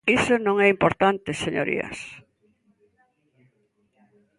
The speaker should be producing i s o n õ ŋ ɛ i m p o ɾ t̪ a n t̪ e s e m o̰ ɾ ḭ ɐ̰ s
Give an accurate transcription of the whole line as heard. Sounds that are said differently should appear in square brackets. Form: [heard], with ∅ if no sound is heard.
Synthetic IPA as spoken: i s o n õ ŋ ɛ i m p o ɾ t̪ a n t̪ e s e [ɲ] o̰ ɾ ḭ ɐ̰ s